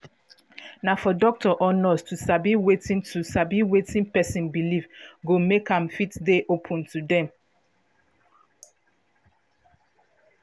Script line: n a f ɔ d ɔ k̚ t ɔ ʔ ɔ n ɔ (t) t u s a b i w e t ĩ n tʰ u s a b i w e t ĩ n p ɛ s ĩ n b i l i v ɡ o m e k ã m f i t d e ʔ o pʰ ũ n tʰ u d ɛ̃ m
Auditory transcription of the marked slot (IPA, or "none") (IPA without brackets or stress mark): s